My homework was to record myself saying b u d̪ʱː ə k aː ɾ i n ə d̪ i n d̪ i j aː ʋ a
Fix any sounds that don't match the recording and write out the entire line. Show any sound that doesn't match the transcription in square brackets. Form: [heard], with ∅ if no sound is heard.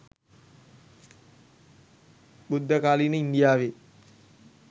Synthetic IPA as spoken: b u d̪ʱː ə k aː [l] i n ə [∅] i n d̪ i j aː ʋ [e]

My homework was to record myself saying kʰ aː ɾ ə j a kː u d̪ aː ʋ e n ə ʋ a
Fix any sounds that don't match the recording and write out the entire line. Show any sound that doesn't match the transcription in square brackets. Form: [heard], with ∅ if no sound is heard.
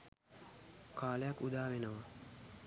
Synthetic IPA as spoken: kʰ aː [l] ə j a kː u d̪ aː ʋ e n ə ʋ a

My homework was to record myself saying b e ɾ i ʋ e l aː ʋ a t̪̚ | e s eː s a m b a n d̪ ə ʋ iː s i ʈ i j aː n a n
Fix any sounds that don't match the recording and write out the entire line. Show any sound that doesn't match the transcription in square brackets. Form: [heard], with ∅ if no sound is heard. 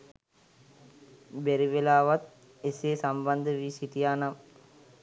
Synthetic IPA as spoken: b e ɾ i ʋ e l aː ʋ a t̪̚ | e s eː s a m b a n d̪ ə ʋ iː s i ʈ i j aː n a [m]

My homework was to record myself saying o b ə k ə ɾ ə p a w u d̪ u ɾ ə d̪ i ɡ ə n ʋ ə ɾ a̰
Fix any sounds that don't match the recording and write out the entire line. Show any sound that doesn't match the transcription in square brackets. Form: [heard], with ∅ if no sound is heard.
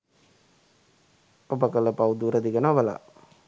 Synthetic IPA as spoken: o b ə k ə [l] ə p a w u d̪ u ɾ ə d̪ i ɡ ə n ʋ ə [l] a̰

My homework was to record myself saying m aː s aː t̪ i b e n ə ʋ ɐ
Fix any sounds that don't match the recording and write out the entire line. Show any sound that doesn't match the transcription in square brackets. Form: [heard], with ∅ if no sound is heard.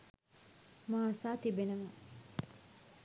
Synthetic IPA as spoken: m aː s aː t̪ i b e n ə ʋ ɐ

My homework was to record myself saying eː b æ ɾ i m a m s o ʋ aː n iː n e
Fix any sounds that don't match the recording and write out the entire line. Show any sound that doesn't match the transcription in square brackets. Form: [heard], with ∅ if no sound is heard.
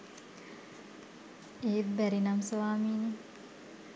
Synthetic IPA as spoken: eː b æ ɾ i [n] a m s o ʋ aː [m] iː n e

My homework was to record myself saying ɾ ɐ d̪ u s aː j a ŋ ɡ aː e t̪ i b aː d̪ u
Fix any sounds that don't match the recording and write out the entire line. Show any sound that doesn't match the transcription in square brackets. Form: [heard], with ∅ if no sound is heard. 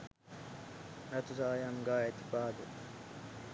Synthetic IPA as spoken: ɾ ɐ [t̪] u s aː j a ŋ ɡ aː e t̪ i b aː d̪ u

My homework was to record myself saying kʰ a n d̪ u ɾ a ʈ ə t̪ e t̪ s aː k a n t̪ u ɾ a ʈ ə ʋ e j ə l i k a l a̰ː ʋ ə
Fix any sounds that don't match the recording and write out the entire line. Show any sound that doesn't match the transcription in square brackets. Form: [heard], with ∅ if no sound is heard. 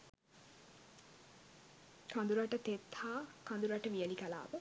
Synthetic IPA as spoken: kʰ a n d̪ u ɾ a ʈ ə t̪ e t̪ [h] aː k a n [d̪] u ɾ a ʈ ə ʋ [i] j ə l i k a l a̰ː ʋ ə

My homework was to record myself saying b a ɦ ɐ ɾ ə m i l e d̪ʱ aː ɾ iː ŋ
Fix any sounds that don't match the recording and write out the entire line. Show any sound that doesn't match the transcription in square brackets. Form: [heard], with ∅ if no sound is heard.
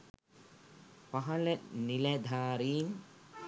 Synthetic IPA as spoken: [p] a ɦ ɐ [l] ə [n] i l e d̪ʱ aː ɾ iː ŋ

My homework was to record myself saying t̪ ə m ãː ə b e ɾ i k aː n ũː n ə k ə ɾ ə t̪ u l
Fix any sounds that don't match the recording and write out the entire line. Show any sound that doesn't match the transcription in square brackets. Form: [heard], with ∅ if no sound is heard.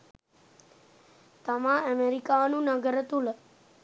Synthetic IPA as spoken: t̪ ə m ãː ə [m] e ɾ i k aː n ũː n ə [ɡ] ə ɾ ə t̪ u l

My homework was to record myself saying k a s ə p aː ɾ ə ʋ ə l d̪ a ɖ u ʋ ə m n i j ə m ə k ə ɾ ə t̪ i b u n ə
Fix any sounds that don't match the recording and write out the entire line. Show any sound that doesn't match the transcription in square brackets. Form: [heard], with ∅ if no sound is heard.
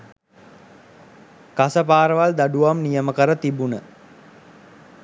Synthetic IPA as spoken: k a s ə p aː ɾ ə ʋ [a] l d̪ a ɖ u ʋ [a] m n i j ə m ə k ə ɾ ə t̪ i b u n ə

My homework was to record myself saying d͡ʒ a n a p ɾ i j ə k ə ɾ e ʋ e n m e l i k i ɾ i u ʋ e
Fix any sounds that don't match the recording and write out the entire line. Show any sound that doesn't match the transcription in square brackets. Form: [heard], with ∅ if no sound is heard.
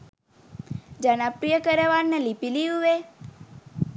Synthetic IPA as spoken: d͡ʒ a n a p ɾ i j ə k ə ɾ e ʋ [a] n [n] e l i [p] i [l] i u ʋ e

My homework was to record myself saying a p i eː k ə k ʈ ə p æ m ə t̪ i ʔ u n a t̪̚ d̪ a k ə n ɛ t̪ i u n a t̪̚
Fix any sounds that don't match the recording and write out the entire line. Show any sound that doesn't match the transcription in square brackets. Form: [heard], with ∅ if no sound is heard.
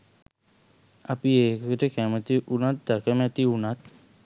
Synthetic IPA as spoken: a p i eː k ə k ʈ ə [k] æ m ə t̪ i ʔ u n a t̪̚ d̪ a k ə [m] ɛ t̪ i u n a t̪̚

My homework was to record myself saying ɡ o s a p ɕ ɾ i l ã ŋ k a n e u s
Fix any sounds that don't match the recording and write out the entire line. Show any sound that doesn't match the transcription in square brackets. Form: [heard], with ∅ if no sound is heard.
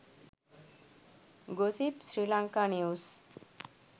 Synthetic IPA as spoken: ɡ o s [i] p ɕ ɾ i l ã ŋ k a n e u s

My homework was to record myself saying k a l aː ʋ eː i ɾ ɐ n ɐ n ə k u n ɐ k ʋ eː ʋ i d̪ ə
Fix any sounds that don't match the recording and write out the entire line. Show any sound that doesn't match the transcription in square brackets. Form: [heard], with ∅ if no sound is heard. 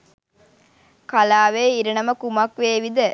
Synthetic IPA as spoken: k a l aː ʋ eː i ɾ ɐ n ɐ [m] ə k u [m] ɐ k ʋ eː ʋ i d̪ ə

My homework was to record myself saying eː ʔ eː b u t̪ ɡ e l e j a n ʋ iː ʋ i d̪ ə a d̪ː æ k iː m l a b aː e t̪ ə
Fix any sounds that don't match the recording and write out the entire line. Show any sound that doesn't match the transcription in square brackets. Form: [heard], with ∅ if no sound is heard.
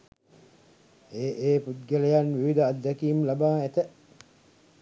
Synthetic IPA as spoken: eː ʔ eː [p] u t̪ ɡ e l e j a n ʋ [i] ʋ i d̪ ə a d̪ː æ k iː m l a b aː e t̪ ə

